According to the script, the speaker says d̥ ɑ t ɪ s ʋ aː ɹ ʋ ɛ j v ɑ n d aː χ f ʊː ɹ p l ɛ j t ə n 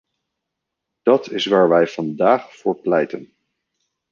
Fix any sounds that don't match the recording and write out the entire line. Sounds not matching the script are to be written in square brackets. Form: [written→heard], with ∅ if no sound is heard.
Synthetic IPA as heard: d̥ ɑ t ɪ s ʋ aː ɹ ʋ ɛ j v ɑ n d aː χ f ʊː ɹ p l ɛ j t ə n